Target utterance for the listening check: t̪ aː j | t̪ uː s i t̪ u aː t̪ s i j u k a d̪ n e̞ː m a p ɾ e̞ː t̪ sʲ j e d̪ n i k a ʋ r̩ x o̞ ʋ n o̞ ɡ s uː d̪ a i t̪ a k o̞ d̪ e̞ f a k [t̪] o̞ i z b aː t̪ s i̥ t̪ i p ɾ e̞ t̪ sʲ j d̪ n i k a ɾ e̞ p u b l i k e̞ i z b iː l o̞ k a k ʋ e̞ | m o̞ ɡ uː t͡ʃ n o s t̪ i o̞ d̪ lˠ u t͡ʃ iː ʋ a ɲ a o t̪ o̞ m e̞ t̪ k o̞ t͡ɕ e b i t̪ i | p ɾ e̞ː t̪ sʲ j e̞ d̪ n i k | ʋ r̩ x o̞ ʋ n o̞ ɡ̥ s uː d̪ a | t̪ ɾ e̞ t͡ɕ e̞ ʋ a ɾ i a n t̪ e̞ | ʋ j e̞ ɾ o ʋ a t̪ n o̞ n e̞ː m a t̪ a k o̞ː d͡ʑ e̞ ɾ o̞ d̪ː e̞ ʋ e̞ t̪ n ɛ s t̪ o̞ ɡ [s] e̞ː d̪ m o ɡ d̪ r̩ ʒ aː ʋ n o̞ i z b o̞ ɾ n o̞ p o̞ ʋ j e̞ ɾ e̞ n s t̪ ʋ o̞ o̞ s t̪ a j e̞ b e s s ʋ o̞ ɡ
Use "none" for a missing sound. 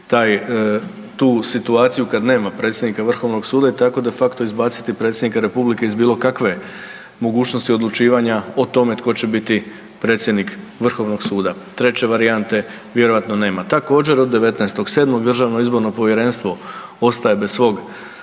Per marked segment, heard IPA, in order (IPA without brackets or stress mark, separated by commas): t̪, s